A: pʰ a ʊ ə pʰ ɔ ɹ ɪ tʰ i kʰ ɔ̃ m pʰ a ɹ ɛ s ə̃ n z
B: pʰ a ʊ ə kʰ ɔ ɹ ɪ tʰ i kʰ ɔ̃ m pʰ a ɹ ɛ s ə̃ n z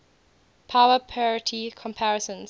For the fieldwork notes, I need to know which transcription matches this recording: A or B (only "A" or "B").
A